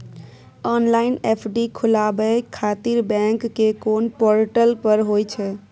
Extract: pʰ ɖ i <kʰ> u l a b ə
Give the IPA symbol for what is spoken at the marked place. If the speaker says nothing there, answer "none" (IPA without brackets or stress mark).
kʰ